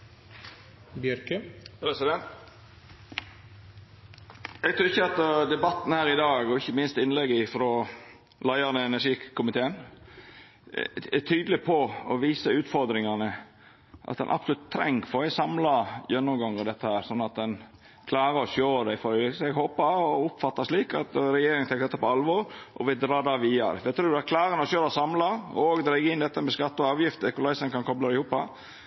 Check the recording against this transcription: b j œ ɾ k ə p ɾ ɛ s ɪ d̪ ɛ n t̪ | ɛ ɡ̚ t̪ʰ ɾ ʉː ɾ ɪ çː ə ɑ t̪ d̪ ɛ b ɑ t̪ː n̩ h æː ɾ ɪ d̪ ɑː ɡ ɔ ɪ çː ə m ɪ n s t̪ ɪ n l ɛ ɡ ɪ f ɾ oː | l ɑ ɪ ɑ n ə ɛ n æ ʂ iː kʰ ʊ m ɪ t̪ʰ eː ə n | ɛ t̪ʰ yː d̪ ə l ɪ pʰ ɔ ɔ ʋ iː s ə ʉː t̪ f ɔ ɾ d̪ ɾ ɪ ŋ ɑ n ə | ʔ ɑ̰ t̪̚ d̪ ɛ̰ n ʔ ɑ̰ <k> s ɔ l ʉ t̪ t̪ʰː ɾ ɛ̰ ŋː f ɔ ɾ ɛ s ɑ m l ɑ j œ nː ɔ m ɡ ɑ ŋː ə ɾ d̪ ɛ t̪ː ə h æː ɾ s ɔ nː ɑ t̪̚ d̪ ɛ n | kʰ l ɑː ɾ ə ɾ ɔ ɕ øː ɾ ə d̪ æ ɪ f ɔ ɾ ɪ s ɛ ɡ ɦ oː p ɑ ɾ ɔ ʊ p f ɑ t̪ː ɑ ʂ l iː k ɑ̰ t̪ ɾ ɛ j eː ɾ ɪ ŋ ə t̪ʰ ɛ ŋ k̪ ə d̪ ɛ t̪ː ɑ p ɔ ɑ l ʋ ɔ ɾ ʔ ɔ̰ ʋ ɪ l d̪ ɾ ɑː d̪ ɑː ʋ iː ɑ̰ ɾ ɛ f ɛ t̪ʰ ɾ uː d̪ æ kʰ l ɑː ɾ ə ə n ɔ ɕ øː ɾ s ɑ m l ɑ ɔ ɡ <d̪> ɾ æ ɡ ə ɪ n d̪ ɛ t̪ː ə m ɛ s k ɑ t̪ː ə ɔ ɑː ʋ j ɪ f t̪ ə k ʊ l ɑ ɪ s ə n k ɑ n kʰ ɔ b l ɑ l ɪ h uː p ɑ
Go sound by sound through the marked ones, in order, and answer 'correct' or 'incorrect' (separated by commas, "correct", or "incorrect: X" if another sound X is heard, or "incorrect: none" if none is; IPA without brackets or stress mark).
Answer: incorrect: p, correct